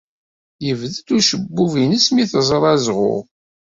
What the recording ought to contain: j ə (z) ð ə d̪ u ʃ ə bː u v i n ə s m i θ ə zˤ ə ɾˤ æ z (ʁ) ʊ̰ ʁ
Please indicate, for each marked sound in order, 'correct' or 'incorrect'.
incorrect: v, correct

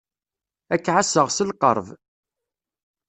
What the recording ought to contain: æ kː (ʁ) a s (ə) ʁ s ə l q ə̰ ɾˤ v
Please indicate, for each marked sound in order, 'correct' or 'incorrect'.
incorrect: ʕ, correct

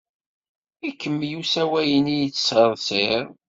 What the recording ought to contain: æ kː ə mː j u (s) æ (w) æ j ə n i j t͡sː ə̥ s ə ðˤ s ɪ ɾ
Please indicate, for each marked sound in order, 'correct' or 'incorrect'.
correct, correct

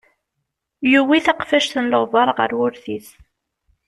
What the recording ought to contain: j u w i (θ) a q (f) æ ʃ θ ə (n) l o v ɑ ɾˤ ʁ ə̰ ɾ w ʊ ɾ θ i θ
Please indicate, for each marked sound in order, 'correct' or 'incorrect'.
correct, correct, correct

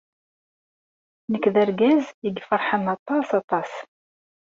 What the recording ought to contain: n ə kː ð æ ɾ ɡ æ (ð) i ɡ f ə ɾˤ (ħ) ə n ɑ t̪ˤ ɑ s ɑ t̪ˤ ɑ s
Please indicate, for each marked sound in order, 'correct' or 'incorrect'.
incorrect: z, correct

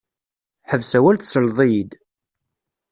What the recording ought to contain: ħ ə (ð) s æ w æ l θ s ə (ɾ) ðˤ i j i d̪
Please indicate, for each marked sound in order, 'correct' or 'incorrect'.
incorrect: v, incorrect: l

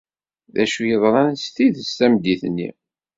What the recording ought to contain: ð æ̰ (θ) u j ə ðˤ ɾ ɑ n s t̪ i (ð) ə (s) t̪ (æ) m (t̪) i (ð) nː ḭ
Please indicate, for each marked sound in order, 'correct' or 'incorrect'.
incorrect: ʃ, correct, correct, correct, incorrect: d̪, incorrect: θ

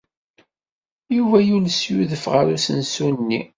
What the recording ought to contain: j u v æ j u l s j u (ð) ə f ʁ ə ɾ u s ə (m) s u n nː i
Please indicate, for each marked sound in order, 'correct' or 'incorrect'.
correct, incorrect: n

